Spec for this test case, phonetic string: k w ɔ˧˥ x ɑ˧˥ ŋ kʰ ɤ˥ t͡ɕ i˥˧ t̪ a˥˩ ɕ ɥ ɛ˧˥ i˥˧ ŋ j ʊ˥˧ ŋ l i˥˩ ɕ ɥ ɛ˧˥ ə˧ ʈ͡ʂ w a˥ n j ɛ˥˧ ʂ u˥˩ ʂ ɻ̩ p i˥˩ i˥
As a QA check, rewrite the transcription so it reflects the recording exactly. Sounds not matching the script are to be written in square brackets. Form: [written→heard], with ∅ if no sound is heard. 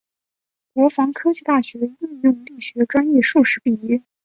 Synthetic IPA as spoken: k w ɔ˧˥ [x→f] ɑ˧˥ ŋ kʰ ɤ˥ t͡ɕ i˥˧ t̪ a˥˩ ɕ ɥ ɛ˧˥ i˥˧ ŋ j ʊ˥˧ ŋ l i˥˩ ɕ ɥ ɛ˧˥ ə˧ ʈ͡ʂ w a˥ n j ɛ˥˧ ʂ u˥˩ ʂ ɻ̩ p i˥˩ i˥